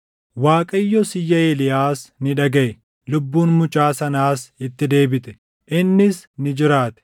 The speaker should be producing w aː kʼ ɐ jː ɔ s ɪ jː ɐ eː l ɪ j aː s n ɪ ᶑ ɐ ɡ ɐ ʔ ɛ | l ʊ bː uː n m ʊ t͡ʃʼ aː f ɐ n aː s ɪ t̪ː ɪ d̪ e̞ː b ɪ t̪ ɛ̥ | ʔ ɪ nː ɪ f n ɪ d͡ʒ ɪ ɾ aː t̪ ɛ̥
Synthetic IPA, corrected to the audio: w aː kʼ ɐ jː ɔ s ɪ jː ɐ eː l ɪ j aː s n ɪ ᶑ ɐ ɡ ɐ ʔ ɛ | l ʊ bː uː n m ʊ t͡ʃʼ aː s ɐ n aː s ɪ t̪ː ɪ d̪ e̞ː b ɪ t̪ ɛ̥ | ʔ ɪ nː ɪ s n ɪ d͡ʒ ɪ ɾ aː t̪ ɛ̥